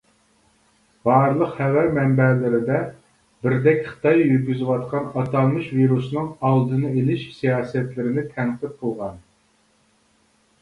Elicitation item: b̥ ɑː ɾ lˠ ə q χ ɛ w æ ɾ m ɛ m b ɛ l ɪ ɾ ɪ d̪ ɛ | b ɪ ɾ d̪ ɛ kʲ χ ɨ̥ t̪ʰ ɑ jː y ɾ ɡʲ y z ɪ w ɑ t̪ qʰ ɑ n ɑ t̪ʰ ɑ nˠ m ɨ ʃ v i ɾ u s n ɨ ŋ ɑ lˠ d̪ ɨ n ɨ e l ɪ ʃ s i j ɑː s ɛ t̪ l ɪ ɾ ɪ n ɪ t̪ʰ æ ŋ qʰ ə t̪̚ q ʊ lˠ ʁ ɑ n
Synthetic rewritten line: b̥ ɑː ɾ lˠ ə q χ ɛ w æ ɾ m ɛ m b ɛ l ɪ ɾ ɪ d̪ ɛ | b ɪ ɾ d̪ ɛ kʲ χ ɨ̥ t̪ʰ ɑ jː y ɾ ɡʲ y z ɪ w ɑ t̪ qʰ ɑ n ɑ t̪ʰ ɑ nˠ m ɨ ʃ v i ɾ u s n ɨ ŋ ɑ lˠ d̪ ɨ n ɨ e l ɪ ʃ s i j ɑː s ɛ t̪ l ɪ ɾ ɪ n ɪ t̪ʰ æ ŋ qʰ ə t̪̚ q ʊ lˠ ʁ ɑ n